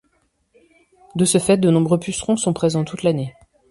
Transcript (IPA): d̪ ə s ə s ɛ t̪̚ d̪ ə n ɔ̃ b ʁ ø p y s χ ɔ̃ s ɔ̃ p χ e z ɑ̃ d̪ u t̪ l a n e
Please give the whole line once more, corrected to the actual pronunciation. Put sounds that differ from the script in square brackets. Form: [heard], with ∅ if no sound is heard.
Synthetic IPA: d̪ ə s ə [f] ɛ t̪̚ d̪ ə n ɔ̃ b ʁ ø p y s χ ɔ̃ s ɔ̃ p χ e z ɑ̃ [t̪] u t̪ l a n e